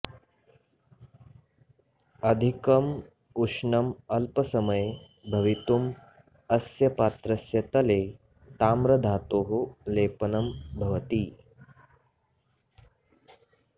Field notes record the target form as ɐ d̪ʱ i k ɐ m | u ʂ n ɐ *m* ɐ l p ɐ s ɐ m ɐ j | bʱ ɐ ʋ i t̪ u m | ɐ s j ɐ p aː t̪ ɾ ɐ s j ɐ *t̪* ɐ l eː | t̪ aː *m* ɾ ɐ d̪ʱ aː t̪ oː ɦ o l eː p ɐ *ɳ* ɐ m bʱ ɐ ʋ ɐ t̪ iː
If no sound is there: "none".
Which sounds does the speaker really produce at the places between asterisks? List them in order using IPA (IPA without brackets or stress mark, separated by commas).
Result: m, t̪, m, n